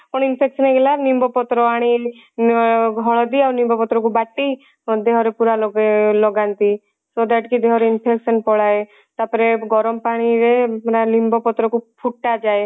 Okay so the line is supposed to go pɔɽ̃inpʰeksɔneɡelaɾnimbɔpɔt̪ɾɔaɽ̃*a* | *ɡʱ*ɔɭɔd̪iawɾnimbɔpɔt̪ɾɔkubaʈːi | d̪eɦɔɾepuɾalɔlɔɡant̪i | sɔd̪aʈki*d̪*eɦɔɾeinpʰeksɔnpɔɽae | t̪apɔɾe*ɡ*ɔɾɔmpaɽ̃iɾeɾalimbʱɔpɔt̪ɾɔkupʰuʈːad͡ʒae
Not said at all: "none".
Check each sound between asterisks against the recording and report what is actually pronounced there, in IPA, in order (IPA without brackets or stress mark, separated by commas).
i, ɡʱ, d̪, ɡ